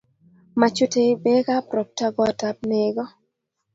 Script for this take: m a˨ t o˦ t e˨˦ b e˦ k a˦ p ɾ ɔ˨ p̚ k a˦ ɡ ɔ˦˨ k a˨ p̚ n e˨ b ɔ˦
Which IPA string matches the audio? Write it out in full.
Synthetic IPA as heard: m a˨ t͡ʃ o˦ t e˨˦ b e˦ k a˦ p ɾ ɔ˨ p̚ t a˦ ɡ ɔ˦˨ t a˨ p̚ n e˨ ɡ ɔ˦